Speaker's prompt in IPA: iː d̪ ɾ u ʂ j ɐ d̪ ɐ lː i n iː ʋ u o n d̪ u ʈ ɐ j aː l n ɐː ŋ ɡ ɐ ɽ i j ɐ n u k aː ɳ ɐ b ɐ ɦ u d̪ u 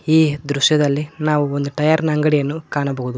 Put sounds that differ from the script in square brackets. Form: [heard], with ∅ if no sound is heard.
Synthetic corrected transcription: iː d̪ ɾ u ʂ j ɐ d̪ ɐ lː i n [aː] ʋ u o n d̪ u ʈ ɐ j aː [ɾ] n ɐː ŋ ɡ ɐ ɽ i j ɐ [nː] u k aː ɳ ɐ b ɐ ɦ u d̪ u

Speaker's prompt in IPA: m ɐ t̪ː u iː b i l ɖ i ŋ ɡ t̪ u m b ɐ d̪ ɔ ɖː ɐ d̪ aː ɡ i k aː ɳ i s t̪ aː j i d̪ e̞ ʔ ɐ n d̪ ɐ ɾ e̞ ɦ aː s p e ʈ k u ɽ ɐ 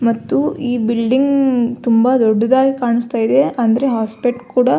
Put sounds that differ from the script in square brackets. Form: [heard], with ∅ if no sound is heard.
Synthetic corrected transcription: m ɐ t̪ː u iː b i l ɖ i ŋ ɡ t̪ u m b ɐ d̪ ɔ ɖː ɐ d̪ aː ɡ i k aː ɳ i s t̪ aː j i d̪ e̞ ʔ ɐ n d̪ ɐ ɾ e̞ ɦ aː s p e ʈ k [uː] ɽ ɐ

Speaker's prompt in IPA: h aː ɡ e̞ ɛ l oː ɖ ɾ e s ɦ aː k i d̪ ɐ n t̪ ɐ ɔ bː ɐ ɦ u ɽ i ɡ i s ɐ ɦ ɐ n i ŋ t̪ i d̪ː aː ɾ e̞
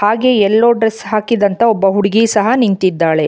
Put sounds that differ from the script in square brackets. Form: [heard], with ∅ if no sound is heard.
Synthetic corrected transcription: h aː ɡ e̞ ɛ [lː] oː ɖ ɾ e s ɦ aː k i d̪ ɐ n t̪ ɐ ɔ bː ɐ ɦ u ɽ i ɡ i s ɐ ɦ ɐ n i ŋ t̪ i d̪ː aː [ɭ] e̞

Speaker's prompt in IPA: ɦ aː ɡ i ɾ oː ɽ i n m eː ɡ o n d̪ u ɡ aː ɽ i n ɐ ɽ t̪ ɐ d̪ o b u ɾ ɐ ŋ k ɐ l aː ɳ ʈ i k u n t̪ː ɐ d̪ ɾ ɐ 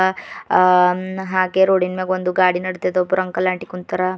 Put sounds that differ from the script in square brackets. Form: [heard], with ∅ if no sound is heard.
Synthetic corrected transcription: ɦ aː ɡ [e] ɾ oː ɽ i n m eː ɡ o n d̪ u ɡ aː ɽ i n ɐ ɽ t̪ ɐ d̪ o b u ɾ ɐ ŋ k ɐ l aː ɳ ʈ i k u n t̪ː ɐ [∅] ɾ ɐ

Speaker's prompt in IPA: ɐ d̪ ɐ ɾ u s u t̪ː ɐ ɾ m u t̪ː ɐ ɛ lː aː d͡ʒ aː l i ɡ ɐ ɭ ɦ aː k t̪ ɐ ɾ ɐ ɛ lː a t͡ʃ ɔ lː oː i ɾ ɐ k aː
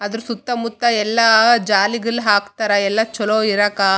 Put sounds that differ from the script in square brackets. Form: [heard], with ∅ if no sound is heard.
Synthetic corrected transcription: ɐ d̪ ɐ ɾ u s u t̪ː ɐ [∅] m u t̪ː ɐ ɛ lː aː d͡ʒ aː l i ɡ ɐ ɭ ɦ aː k t̪ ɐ ɾ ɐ ɛ lː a t͡ʃ ɔ [l] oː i ɾ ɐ k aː

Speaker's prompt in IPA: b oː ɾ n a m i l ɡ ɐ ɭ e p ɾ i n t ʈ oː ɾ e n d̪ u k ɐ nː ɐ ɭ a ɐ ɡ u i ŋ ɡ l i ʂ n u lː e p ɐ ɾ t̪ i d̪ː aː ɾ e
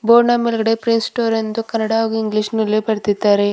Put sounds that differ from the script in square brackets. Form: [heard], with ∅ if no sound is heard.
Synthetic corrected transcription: b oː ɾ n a m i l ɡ ɐ [ɽ] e p ɾ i n [s] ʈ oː ɾ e n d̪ u k ɐ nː ɐ [ɽ] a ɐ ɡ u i ŋ ɡ l i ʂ n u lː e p ɐ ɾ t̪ i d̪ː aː ɾ e

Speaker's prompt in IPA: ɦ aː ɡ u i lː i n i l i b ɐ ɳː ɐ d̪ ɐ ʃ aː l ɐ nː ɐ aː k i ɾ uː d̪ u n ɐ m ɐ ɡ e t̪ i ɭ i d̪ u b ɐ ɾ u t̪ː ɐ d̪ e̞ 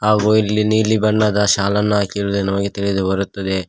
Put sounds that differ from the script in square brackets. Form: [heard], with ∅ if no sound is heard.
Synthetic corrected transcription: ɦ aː ɡ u i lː i n [iː] l i b ɐ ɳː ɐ d̪ ɐ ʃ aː l ɐ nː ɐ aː k i ɾ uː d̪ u n ɐ m ɐ ɡ e t̪ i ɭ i d̪ u b ɐ ɾ u t̪ː ɐ d̪ e̞

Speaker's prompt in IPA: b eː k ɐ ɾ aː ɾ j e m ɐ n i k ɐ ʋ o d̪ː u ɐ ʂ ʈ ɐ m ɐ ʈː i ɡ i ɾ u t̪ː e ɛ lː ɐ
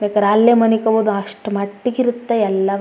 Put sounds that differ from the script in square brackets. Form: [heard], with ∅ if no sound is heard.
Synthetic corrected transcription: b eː k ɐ ɾ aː [l] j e m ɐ n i k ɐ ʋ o [d̪] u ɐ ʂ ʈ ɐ m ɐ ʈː i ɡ i ɾ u t̪ː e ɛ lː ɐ

